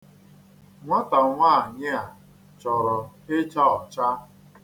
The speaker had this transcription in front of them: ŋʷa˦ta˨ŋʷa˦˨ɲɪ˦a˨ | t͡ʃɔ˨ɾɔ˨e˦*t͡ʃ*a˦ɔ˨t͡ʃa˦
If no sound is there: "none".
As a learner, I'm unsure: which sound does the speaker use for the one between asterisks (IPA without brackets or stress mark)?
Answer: t͡ʃ